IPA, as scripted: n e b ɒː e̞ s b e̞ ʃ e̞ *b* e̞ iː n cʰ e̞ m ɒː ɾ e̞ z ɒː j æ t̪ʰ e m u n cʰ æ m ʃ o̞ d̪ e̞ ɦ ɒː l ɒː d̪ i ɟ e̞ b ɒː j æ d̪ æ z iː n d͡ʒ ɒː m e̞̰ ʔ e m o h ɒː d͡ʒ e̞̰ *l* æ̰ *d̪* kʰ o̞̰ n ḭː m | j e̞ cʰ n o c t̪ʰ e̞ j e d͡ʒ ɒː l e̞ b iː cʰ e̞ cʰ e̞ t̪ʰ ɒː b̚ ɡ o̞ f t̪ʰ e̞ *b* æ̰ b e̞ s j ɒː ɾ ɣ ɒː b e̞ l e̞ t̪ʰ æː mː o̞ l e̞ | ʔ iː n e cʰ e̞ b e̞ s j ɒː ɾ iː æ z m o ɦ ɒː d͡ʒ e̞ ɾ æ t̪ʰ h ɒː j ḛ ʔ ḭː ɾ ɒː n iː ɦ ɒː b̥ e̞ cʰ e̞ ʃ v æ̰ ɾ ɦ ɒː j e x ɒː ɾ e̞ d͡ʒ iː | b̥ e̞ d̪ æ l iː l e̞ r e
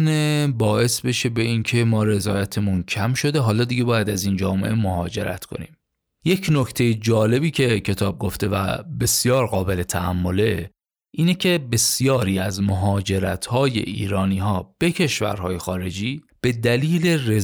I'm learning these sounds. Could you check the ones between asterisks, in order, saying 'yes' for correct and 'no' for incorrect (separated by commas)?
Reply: yes, no, no, no